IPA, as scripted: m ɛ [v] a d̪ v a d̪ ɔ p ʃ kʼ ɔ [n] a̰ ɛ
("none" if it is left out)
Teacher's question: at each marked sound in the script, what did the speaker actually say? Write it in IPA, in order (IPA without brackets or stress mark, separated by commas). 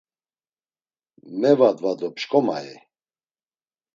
v, m